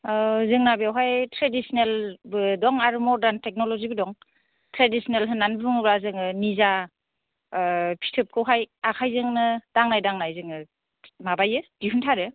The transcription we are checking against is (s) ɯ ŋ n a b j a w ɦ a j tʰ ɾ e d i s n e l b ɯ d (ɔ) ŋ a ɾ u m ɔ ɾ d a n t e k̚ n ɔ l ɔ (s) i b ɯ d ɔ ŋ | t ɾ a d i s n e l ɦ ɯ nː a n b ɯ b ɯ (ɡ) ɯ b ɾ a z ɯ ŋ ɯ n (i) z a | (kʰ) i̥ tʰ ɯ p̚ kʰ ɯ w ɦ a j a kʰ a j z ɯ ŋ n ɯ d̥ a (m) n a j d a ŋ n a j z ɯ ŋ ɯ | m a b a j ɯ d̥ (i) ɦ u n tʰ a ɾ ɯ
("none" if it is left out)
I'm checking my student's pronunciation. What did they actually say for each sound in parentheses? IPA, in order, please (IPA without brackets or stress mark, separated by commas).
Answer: z, ɔ, z, ŋ, i, pʰ, ŋ, i